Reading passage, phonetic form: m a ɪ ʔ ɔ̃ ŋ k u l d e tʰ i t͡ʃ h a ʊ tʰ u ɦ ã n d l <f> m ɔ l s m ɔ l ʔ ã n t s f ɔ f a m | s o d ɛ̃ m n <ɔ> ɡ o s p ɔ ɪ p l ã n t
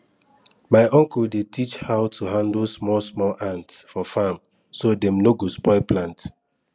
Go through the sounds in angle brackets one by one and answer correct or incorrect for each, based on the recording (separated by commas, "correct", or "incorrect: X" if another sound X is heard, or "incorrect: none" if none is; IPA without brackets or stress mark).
incorrect: s, incorrect: o